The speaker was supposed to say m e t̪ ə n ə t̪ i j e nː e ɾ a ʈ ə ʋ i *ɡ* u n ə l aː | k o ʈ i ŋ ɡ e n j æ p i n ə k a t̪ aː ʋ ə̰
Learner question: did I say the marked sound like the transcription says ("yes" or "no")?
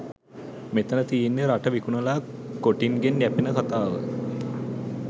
no